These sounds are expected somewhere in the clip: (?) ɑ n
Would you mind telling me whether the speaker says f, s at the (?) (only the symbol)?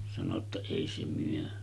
s